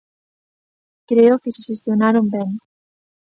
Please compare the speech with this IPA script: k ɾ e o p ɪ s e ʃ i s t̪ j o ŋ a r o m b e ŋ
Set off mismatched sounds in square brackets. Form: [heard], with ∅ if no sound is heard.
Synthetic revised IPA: k ɾ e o [k] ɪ s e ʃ [e] s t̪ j o [n] a [ɾ] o m b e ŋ